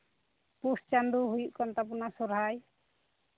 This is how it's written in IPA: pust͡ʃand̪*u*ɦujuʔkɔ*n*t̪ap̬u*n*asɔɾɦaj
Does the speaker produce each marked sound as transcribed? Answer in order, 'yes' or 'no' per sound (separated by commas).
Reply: yes, yes, yes